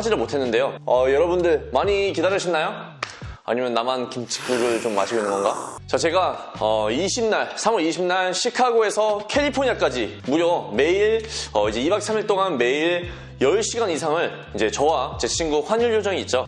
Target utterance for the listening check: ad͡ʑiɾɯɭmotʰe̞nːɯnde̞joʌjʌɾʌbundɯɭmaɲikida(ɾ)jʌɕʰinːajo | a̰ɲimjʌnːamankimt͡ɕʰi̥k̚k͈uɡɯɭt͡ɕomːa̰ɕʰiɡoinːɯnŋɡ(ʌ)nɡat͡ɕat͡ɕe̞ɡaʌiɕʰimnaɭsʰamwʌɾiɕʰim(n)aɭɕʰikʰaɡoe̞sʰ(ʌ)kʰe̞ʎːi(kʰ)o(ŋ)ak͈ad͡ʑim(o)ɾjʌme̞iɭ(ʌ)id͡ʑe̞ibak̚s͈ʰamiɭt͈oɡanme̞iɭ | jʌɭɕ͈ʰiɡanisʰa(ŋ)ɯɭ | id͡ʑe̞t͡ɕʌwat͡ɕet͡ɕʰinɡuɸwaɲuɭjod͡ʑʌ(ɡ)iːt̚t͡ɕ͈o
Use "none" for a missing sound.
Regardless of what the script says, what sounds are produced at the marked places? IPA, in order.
ɾ, ʌ, n, ʌ, pʰ, ɲ, u, ʌ, ŋ, ŋ

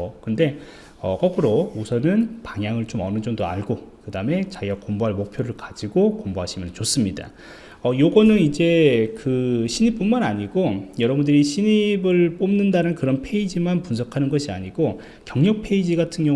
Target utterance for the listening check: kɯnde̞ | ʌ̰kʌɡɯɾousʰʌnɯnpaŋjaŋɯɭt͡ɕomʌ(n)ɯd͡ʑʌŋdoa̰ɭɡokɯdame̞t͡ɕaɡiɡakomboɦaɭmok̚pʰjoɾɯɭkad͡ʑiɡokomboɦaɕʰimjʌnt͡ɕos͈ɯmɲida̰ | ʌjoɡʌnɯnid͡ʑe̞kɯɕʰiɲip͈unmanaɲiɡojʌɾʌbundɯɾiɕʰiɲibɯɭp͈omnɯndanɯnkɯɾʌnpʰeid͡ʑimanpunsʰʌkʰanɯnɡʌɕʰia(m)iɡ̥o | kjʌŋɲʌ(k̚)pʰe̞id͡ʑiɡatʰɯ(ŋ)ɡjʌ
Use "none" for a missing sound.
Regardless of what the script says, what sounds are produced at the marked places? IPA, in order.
n, ɲ, k̚, n

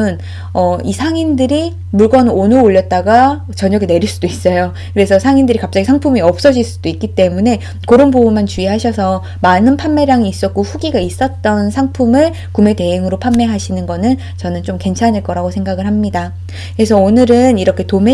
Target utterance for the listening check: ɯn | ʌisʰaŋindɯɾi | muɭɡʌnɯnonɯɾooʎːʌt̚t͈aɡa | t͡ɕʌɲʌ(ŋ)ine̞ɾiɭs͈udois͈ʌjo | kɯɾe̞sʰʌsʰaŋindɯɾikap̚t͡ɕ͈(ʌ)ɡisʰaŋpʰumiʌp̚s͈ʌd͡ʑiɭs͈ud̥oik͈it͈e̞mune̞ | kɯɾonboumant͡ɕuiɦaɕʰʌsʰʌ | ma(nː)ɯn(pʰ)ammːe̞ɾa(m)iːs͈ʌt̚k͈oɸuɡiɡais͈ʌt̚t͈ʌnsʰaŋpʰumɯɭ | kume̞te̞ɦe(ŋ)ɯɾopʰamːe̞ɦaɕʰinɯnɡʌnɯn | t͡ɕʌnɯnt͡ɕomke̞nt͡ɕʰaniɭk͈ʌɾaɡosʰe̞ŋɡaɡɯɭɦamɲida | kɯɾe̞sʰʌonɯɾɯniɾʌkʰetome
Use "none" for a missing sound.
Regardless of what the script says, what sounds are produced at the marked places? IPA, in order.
ɡ, a, n, pʰ, ŋ, ŋ

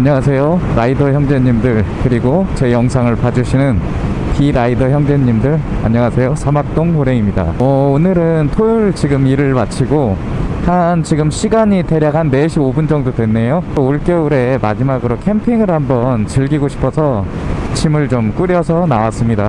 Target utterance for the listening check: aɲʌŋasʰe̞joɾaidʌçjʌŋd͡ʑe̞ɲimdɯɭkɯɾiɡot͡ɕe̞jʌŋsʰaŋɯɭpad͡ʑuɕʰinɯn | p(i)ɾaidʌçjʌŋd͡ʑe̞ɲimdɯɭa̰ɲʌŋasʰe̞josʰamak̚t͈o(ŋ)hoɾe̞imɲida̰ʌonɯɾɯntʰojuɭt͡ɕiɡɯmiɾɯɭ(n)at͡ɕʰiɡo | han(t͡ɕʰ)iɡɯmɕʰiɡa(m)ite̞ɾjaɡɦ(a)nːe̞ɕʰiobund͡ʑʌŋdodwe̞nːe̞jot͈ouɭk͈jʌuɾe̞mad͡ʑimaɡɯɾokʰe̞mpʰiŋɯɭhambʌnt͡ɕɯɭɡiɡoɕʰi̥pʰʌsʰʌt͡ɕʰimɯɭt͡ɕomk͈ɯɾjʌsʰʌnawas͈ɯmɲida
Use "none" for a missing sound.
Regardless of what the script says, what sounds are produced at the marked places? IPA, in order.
i, ŋ, m, t͡ɕ, ɲ, a

